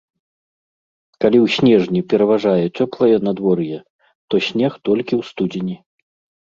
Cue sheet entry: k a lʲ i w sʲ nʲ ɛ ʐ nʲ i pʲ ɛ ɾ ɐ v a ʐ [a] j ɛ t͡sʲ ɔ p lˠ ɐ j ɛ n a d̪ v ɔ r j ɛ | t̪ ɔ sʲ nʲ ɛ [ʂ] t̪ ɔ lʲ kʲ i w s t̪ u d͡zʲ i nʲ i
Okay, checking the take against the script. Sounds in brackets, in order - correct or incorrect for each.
correct, incorrect

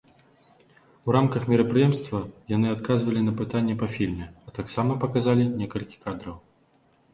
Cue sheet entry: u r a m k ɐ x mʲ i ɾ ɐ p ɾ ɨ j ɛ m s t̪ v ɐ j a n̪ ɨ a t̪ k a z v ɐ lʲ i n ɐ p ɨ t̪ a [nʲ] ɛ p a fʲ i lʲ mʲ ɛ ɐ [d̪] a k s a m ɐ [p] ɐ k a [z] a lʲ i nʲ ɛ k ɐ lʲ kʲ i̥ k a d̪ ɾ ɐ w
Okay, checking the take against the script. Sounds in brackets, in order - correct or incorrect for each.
incorrect, incorrect, correct, correct

